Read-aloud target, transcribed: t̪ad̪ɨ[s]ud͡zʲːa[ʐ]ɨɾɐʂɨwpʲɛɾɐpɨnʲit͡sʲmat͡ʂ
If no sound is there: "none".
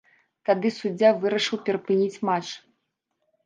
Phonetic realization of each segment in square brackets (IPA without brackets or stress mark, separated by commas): s, v